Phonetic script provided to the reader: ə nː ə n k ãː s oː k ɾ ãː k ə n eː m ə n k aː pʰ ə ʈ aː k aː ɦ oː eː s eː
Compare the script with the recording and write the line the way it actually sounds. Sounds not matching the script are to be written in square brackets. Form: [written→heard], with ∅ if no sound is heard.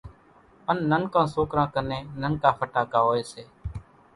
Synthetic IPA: ə nː ə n k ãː s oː k ɾ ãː k ə n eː [m→n] ə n k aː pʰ ə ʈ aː k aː ɦ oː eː s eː